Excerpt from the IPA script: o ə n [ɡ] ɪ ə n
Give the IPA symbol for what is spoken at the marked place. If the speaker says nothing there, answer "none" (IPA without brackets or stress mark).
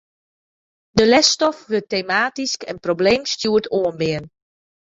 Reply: b